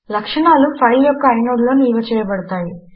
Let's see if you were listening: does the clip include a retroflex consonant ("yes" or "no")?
yes